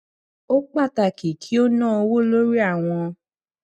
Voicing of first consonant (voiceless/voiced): voiceless